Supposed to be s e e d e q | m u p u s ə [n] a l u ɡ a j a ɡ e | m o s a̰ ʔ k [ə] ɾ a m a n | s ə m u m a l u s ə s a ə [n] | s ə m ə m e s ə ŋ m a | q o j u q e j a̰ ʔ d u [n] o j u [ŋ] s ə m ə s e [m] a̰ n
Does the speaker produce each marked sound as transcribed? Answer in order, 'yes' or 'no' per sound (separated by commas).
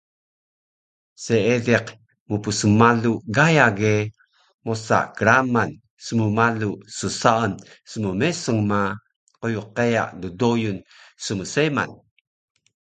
no, yes, yes, no, no, yes